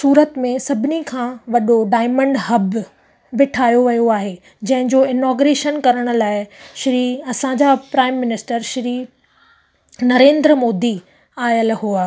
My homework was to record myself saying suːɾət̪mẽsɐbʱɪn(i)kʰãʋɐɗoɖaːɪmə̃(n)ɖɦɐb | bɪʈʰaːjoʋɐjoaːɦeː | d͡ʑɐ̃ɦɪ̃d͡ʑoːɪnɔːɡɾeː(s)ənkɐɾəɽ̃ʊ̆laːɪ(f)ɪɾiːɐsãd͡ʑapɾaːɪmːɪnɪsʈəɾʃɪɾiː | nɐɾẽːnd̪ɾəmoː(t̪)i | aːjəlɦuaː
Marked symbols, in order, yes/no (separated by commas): yes, no, no, no, no